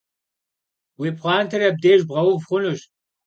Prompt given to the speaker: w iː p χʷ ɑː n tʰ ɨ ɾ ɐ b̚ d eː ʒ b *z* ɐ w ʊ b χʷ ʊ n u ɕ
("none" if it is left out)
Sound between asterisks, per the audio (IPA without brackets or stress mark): ʁ